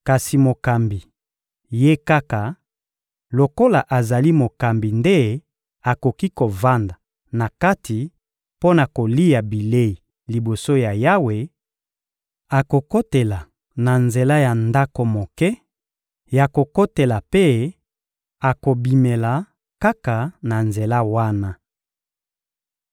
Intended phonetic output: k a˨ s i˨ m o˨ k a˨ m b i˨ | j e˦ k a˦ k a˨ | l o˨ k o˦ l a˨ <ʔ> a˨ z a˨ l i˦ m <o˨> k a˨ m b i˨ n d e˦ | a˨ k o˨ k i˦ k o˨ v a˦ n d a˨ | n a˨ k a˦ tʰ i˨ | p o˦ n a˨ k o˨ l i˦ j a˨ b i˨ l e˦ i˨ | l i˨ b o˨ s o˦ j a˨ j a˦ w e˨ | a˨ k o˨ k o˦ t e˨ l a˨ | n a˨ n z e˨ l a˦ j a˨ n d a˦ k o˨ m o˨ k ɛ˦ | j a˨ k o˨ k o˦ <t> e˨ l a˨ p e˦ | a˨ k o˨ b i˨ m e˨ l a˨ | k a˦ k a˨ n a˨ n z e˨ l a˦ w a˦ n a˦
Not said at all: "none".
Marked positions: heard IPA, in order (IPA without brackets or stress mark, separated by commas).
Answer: ʔ, o˨, t